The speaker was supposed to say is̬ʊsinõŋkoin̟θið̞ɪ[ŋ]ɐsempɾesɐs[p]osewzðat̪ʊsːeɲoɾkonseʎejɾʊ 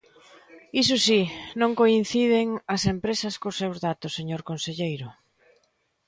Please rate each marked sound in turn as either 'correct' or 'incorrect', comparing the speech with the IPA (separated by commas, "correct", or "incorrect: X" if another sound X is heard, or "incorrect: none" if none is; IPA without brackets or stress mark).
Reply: correct, incorrect: k